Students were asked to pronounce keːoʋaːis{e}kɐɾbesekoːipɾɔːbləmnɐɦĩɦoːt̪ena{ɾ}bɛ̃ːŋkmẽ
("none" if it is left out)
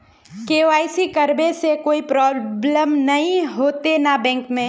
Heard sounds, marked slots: i, none

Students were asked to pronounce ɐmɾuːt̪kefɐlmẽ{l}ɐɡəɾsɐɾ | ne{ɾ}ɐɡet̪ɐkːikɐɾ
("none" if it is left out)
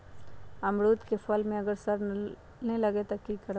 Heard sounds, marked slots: none, l

